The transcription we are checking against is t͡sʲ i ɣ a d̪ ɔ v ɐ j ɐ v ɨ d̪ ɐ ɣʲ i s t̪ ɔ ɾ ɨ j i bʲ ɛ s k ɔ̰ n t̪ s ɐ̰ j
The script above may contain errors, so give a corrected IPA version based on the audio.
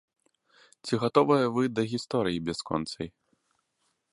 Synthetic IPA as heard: t͡sʲ i ɣ a t̪ ɔ v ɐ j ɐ v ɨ d̪ ɐ ɣʲ i s t̪ ɔ ɾ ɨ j i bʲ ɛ s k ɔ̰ n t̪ s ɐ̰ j